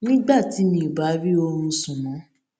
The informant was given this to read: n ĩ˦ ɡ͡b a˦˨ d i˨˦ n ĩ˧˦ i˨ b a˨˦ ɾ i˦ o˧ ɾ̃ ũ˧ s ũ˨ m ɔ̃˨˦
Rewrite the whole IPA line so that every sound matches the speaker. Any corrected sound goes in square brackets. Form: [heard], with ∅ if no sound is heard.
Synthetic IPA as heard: n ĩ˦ ɡ͡b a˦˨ [t] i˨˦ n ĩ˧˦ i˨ b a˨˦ ɾ i˦ o˧ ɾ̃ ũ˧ s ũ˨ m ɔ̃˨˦